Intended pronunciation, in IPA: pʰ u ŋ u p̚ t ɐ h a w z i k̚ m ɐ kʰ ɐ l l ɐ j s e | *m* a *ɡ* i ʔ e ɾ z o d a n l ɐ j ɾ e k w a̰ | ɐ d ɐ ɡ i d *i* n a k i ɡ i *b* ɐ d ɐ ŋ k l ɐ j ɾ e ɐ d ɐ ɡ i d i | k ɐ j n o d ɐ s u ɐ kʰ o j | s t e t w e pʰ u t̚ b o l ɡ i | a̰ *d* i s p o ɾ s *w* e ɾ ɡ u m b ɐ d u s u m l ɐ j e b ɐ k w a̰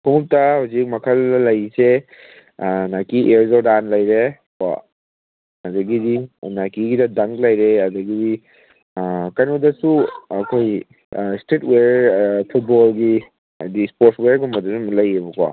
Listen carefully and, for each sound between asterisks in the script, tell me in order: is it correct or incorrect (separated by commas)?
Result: incorrect, incorrect, correct, incorrect, correct, correct